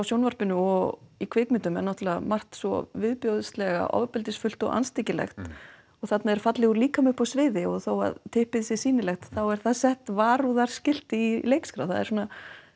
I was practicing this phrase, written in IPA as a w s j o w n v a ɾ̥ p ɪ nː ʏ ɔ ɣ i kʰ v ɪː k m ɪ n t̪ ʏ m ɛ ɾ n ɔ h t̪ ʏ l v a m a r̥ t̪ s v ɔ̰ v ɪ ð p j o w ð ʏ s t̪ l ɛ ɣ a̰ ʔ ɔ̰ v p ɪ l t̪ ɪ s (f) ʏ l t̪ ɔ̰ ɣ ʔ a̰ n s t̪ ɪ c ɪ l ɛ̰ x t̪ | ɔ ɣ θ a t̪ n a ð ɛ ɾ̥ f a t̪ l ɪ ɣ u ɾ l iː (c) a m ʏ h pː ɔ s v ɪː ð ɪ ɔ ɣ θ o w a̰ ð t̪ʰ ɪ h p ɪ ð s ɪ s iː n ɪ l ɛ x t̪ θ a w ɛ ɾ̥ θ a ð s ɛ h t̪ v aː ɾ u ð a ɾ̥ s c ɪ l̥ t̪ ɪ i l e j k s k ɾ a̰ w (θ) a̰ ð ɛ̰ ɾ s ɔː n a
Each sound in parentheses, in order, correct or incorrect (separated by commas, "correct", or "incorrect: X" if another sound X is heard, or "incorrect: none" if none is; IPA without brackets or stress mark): correct, incorrect: k, correct